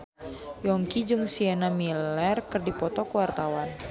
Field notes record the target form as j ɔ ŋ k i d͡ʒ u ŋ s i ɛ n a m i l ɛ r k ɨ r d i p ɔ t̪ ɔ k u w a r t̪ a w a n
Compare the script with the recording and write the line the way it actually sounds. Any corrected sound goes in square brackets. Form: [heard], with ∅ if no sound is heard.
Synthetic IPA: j ɔ ŋ k i d͡ʒ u ŋ s i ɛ n a m i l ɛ r k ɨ r d i p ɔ t̪ ɔ k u w a r t̪ a w a n